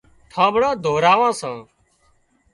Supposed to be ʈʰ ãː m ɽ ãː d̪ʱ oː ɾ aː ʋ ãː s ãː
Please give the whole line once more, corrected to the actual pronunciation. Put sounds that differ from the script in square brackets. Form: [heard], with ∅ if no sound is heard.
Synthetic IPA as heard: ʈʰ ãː [b] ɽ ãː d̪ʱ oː ɾ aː ʋ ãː s ãː

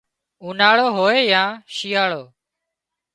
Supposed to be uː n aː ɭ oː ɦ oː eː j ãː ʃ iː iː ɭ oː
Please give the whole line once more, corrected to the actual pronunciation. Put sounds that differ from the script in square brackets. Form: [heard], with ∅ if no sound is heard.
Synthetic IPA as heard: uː n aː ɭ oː ɦ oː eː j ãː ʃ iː [aː] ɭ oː

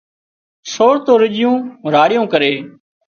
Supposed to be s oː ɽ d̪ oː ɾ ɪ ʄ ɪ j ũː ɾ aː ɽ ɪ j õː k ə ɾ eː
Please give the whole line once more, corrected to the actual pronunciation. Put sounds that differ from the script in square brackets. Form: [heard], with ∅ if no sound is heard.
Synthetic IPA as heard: s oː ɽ [t̪] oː ɾ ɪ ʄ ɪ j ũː ɾ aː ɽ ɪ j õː k ə ɾ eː

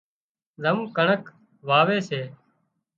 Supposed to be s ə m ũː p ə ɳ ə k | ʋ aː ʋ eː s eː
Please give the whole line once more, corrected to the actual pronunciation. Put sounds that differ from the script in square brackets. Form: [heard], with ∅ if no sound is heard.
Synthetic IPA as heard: [z] ə m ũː [k] ə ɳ ə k | ʋ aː ʋ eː s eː

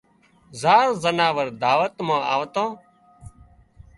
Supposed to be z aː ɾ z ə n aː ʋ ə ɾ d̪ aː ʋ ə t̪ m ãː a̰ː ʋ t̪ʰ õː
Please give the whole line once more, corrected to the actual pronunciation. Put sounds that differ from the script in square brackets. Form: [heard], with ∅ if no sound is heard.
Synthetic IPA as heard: z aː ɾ z ə n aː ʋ ə ɾ d̪ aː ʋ ə t̪ m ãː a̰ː ʋ [t̪] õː

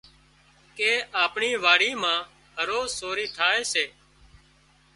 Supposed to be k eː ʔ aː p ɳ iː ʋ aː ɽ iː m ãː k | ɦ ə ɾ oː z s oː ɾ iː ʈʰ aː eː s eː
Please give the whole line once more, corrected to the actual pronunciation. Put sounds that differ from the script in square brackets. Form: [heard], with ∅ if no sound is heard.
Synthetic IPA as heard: k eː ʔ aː p ɳ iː ʋ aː ɽ iː m ãː [∅] | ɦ ə ɾ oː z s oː ɾ iː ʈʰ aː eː s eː

